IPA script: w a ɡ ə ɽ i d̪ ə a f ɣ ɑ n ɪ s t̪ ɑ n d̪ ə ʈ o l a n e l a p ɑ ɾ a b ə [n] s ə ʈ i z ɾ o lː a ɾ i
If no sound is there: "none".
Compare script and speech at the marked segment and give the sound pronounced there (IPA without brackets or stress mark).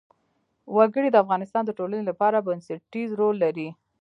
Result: n